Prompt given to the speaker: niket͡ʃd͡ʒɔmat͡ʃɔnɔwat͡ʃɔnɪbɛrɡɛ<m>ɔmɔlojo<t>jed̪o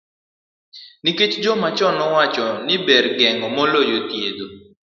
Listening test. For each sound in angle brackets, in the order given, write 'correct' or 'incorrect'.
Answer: incorrect: ŋ, correct

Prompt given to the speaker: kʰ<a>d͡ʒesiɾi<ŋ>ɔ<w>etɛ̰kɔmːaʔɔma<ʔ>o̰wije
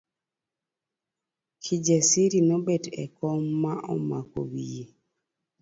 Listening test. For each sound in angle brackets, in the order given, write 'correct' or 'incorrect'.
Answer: incorrect: i, incorrect: n, incorrect: b, incorrect: k

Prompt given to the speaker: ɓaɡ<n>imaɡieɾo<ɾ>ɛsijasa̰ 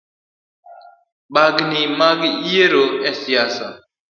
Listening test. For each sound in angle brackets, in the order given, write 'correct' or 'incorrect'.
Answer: correct, incorrect: none

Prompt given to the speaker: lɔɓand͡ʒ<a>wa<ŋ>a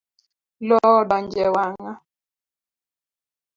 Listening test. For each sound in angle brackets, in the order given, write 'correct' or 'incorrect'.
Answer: incorrect: ɛ, correct

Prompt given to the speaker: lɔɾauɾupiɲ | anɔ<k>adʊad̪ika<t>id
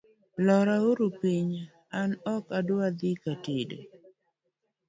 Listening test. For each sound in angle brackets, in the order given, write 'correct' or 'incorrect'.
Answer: correct, correct

